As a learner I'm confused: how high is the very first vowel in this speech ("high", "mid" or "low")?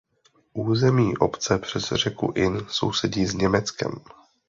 high